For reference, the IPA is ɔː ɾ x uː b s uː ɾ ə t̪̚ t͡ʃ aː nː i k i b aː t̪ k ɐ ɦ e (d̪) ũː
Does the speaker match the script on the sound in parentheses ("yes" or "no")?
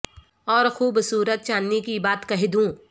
yes